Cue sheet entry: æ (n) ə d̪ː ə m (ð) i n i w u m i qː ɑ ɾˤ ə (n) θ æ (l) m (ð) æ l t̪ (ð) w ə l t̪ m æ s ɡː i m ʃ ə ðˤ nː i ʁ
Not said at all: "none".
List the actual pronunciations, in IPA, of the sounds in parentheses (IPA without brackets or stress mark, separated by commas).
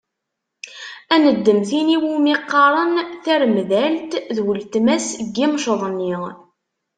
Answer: n, θ, n, ɾ, ð, ð